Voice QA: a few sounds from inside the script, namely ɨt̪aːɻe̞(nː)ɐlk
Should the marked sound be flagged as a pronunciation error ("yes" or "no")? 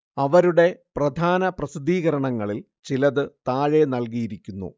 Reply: yes